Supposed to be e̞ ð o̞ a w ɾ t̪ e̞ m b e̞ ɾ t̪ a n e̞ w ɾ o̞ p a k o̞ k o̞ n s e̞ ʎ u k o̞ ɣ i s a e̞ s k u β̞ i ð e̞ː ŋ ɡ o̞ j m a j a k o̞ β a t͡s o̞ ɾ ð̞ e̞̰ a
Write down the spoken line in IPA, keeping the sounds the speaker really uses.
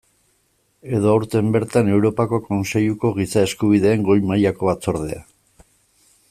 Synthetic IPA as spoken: e̞ ð o̞ a w ɾ t̪ e̞ m b e̞ ɾ t̪ a n e̞ w ɾ o̞ p a k o̞ k o̞ n s e̞ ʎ u k o̞ ɣ i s a e̞ s k u β̞ i ð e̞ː ŋ ɡ o̞ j m a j a k o̞ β a t͡s o̞ ɾ ð̞ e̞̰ a